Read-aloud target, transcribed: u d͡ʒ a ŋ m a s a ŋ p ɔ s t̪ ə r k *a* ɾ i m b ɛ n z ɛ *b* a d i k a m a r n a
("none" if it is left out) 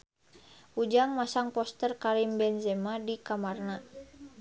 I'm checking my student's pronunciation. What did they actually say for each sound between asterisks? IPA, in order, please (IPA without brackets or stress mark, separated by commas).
a, m